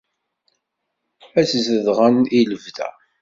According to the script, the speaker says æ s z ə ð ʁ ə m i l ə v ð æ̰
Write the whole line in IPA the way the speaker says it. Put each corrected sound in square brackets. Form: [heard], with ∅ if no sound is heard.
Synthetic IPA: æ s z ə ð ʁ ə [n] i l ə v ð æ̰